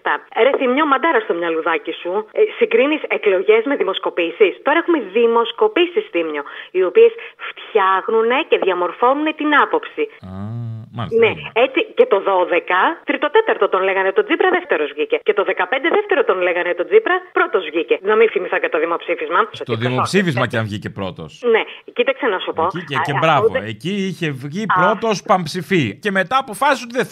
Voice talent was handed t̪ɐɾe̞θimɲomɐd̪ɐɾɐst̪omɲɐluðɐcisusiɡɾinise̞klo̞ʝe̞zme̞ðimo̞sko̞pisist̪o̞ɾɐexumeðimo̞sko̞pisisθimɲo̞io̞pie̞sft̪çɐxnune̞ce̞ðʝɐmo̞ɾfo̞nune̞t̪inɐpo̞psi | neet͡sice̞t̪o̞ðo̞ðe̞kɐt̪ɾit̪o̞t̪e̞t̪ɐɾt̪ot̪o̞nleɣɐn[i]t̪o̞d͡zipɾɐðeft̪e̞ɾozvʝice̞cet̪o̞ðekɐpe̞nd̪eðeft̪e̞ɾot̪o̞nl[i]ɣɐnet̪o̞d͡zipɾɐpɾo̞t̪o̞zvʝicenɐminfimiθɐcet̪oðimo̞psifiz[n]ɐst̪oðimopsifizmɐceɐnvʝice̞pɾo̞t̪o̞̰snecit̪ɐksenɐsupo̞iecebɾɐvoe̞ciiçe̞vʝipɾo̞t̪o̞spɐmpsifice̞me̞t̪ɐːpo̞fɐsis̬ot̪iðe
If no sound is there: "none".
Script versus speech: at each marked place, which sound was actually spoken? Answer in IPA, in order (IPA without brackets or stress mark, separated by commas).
e, e, m